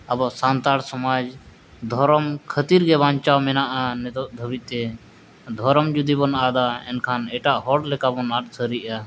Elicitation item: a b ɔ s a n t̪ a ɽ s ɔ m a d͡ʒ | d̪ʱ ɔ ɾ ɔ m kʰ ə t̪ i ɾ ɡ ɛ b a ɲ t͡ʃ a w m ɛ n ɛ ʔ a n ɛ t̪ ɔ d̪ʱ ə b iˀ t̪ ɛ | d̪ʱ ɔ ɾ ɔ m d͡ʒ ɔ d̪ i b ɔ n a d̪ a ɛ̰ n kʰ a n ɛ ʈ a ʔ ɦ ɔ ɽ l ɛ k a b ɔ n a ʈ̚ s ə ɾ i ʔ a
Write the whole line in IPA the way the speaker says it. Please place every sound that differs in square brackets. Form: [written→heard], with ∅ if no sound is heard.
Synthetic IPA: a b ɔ s a n t̪ a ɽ s ɔ m a d͡ʒ | d̪ʱ ɔ ɾ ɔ m kʰ ə t̪ i ɾ ɡ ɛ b a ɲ t͡ʃ a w m ɛ n [ɛ→a] ʔ a n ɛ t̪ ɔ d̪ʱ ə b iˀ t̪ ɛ | d̪ʱ ɔ ɾ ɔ m d͡ʒ [ɔ→u] d̪ i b ɔ n a d̪ a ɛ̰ n kʰ a n ɛ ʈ a ʔ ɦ ɔ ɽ l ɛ k a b ɔ n a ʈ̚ s ə ɾ i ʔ a